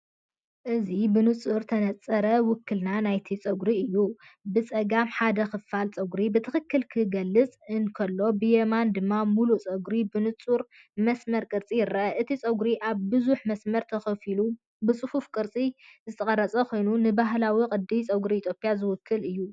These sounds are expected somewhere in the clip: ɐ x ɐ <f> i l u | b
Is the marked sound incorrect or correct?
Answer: correct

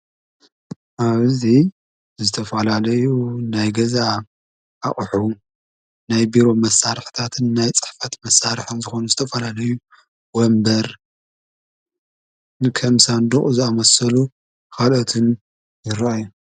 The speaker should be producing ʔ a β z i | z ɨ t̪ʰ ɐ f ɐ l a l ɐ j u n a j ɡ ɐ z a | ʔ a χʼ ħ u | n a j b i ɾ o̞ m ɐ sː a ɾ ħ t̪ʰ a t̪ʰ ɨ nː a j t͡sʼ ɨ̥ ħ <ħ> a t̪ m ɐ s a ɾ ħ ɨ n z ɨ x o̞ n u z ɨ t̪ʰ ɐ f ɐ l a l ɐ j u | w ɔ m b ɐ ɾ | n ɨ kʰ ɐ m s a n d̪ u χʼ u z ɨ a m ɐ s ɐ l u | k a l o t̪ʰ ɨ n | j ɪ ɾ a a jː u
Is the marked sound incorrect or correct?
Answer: incorrect: f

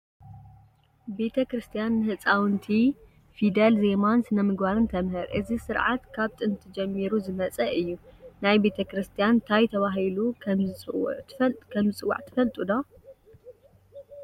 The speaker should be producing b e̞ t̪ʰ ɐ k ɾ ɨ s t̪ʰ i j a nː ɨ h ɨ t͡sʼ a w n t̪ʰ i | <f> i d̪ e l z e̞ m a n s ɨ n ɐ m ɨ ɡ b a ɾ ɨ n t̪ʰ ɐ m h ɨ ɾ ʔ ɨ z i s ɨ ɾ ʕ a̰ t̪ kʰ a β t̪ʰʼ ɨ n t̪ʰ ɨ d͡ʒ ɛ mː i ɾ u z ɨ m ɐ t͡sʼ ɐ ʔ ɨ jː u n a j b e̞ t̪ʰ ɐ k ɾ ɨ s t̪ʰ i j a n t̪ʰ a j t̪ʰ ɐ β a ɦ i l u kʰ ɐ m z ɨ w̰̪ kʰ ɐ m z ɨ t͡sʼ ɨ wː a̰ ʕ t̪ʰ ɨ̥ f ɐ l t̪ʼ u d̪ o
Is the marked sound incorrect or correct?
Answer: correct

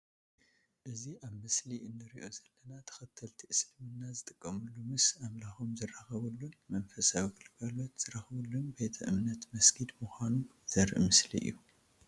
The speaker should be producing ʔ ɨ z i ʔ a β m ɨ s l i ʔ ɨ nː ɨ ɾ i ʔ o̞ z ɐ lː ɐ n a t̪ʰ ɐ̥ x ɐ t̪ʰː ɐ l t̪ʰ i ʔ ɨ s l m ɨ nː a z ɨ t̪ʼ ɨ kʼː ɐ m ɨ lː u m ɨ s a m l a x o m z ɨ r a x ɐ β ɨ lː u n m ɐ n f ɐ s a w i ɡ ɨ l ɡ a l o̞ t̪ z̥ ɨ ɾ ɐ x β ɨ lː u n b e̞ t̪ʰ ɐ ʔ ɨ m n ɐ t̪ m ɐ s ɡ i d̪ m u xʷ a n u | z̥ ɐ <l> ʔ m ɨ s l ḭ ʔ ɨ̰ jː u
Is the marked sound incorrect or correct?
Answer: incorrect: ɾ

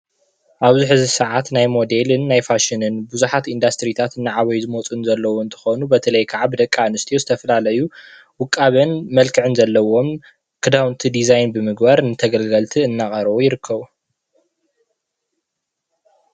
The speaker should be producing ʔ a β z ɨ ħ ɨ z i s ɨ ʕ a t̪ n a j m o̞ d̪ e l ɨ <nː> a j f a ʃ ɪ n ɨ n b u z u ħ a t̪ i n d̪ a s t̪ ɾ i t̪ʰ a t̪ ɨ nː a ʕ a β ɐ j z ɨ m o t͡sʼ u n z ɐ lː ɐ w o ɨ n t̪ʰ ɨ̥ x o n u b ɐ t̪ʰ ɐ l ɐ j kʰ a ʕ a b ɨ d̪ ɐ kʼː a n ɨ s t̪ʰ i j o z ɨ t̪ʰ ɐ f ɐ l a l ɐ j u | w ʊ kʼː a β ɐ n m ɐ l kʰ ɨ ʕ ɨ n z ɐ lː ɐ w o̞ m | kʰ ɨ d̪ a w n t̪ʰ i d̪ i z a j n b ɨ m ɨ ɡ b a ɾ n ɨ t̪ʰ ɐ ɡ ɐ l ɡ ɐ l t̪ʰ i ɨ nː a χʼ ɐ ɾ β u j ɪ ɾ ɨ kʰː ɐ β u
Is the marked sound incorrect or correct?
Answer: correct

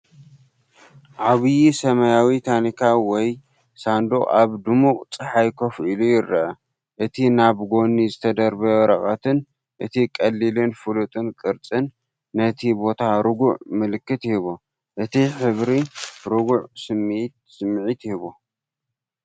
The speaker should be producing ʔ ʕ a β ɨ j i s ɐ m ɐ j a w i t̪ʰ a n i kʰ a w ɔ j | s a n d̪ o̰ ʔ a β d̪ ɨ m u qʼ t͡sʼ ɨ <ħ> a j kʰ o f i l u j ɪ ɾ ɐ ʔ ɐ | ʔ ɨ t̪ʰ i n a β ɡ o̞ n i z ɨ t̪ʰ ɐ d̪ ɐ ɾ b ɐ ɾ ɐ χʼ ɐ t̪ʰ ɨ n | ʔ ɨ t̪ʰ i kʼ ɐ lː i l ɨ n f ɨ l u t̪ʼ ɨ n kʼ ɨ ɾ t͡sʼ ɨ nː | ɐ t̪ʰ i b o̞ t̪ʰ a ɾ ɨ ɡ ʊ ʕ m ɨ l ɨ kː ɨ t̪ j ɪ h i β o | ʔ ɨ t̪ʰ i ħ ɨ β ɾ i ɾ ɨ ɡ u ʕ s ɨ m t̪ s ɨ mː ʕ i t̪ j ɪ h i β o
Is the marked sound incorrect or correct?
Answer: correct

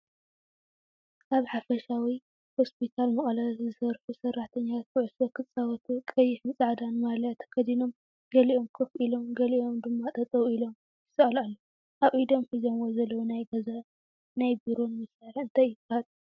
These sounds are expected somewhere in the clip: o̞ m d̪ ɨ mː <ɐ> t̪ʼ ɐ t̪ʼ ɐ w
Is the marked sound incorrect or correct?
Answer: incorrect: a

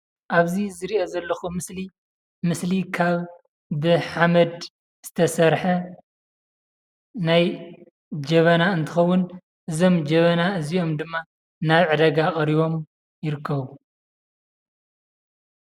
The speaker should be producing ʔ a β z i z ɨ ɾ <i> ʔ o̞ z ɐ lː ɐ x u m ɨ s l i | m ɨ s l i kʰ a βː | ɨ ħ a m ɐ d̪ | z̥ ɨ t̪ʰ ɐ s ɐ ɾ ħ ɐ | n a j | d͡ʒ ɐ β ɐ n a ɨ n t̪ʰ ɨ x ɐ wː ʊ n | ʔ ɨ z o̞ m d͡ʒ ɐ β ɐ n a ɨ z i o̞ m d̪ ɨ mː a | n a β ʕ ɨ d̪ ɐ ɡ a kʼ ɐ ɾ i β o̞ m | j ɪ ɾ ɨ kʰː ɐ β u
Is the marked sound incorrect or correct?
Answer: correct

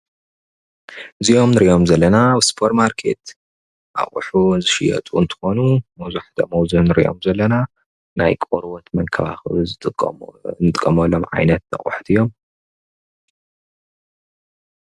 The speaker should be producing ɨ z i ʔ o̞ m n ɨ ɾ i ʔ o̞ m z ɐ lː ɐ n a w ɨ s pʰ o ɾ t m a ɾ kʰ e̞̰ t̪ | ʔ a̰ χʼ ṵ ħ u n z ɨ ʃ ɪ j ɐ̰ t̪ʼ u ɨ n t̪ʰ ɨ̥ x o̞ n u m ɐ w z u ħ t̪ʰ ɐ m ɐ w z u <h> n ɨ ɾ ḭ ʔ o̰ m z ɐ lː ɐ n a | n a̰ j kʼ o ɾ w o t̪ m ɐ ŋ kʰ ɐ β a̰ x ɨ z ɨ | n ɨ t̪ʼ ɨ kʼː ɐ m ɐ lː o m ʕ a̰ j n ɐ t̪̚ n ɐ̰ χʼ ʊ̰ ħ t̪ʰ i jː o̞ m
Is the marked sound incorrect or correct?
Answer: correct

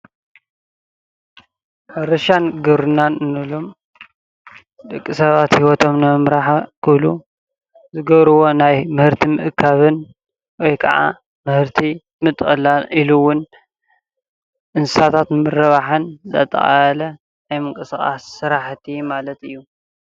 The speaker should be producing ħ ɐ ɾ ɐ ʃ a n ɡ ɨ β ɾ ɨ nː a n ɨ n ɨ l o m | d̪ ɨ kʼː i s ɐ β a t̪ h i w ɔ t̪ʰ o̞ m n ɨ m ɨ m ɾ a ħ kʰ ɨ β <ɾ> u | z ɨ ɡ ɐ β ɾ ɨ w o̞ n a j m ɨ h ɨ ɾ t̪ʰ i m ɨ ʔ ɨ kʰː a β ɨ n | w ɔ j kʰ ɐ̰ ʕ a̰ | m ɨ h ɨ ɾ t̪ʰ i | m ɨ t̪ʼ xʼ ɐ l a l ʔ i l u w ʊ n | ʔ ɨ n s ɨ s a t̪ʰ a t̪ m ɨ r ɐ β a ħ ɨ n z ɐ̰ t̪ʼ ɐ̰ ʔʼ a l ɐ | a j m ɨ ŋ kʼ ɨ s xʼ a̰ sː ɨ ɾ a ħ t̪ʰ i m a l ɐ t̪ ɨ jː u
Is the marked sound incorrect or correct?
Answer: incorrect: l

